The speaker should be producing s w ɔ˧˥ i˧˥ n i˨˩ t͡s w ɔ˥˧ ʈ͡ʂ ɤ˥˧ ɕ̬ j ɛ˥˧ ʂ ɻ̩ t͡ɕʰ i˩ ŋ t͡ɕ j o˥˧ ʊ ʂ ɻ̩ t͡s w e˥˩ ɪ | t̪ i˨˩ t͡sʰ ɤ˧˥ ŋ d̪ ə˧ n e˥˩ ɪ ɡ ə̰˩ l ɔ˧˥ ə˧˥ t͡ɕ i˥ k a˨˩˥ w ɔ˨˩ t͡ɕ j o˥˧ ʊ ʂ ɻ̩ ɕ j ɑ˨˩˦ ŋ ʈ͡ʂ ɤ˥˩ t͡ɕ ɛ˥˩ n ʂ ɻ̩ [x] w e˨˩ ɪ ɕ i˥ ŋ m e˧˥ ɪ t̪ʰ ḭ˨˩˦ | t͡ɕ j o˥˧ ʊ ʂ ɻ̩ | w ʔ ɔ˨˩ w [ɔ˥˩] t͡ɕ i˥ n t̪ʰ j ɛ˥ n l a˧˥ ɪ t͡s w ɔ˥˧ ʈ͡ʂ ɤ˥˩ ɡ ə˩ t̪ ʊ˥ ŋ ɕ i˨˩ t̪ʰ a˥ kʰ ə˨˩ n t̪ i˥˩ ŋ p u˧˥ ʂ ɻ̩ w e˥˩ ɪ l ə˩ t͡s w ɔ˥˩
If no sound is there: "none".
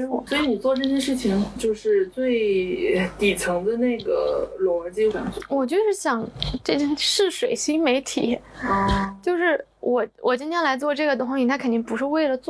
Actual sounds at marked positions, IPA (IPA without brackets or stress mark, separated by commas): ʂ, ɔ˨˩